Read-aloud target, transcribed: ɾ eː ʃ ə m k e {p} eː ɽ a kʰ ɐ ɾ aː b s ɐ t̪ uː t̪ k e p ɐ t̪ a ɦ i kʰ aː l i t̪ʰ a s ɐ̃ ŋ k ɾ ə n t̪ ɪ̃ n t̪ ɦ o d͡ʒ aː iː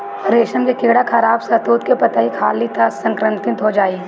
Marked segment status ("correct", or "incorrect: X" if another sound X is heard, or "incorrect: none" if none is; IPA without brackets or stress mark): incorrect: k